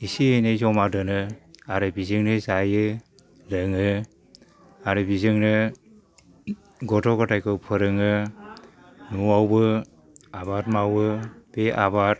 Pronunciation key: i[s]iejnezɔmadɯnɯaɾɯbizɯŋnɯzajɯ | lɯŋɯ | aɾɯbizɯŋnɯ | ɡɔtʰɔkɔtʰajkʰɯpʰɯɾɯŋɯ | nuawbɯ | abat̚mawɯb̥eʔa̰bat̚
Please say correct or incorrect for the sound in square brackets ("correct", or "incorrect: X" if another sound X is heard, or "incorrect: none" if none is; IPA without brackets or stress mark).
correct